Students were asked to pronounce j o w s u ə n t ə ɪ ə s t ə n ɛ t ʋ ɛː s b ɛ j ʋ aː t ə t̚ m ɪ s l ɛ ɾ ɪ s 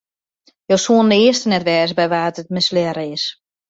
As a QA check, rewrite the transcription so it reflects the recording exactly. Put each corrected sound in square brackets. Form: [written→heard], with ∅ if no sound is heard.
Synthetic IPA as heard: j o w s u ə n [t→d] ə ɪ ə s t ə n ɛ t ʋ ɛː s b ɛ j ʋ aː t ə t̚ m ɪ s l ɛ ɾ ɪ s

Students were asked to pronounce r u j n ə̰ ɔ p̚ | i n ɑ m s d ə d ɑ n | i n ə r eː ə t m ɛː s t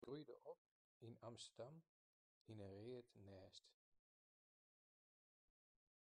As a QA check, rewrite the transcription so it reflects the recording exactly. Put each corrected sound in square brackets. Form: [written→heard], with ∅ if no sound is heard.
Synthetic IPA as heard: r u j [n→d] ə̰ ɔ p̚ | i n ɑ m s [d→t] ə d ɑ [n→m] | i n ə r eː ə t [m→n] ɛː s t

